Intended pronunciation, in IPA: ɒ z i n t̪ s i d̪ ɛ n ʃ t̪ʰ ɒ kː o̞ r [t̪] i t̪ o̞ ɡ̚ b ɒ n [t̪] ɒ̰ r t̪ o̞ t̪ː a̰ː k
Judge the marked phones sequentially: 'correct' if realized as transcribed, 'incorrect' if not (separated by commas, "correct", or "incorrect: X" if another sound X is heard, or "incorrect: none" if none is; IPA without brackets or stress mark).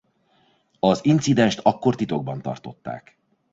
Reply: correct, correct